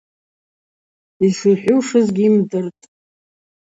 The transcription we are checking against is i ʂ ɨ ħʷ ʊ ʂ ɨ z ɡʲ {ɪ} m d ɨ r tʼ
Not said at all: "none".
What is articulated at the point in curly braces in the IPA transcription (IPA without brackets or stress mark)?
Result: i